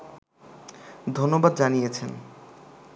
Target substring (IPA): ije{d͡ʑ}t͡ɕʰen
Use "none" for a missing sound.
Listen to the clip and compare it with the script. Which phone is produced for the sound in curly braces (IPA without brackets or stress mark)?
none